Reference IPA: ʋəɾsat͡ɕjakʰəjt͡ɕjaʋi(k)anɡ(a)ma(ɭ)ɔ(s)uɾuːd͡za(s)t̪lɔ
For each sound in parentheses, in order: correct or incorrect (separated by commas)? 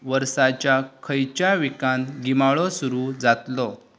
correct, incorrect, correct, correct, incorrect